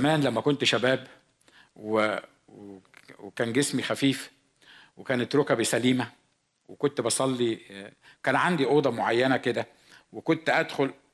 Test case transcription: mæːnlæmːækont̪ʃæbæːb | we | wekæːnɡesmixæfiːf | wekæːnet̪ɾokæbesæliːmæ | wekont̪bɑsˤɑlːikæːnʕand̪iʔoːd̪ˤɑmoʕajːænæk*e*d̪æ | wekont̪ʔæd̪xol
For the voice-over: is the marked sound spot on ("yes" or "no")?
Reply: yes